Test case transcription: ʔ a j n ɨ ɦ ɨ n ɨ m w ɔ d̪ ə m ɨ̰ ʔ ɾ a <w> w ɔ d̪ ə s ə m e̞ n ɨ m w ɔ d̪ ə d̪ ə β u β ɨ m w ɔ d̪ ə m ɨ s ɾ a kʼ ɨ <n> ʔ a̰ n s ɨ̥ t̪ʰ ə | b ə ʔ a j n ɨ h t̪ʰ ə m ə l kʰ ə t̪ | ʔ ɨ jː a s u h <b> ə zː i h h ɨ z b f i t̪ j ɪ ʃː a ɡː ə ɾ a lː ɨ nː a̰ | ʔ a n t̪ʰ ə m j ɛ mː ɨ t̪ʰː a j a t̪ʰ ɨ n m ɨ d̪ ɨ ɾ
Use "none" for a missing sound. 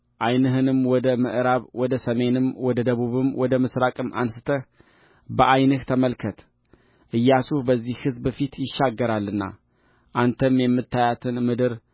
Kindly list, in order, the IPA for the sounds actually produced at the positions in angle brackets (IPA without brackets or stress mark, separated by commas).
β, m, b